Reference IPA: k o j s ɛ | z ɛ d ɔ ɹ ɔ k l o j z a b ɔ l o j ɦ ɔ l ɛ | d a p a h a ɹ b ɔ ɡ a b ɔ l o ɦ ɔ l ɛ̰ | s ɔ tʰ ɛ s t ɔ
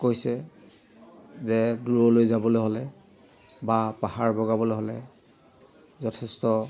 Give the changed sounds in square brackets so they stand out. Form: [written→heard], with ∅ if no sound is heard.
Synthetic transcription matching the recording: k o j s ɛ | z ɛ d [ɔ→u] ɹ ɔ [k→∅] l o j z a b ɔ l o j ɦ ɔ l ɛ | [d→b] a p a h a ɹ b ɔ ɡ a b ɔ l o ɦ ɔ l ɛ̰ | [s→z] ɔ tʰ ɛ s t ɔ